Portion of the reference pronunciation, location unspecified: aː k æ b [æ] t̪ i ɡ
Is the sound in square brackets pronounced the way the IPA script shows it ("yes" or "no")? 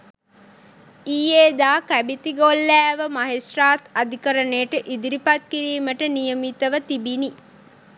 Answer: no